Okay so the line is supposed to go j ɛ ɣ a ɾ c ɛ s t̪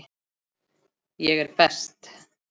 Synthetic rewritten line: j ɛ ɣ ɛ ɾ p ɛ s t̪